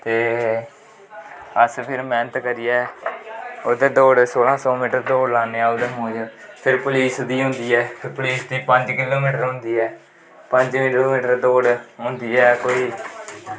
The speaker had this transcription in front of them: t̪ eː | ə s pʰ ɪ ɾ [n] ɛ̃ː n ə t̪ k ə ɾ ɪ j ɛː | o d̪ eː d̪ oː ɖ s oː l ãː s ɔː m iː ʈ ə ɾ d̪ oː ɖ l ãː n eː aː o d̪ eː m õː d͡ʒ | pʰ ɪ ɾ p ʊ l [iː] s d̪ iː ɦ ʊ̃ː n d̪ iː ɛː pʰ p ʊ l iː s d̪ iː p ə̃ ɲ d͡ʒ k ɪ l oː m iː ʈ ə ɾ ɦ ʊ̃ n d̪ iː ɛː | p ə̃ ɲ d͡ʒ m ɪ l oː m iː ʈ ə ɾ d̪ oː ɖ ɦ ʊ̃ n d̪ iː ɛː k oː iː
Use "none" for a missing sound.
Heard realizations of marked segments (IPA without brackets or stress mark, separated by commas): m, iː